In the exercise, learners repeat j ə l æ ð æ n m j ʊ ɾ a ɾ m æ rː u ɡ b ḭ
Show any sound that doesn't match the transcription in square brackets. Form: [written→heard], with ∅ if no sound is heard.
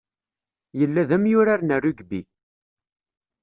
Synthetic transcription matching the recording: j ə [l→lː] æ ð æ [n→∅] m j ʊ ɾ a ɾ [m→n] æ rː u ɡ b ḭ